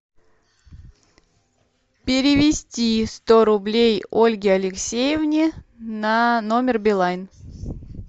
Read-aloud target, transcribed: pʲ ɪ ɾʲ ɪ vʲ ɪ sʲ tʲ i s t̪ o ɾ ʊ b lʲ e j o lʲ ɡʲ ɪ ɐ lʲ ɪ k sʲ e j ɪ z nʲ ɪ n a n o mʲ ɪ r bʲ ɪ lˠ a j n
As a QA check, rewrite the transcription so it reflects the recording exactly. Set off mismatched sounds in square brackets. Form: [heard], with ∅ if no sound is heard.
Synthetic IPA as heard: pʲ ɪ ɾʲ ɪ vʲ ɪ sʲ tʲ i s t̪ o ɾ ʊ b lʲ e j o lʲ ɡʲ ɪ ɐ lʲ ɪ k sʲ e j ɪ [v] nʲ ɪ n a n o mʲ ɪ r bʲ ɪ lˠ a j n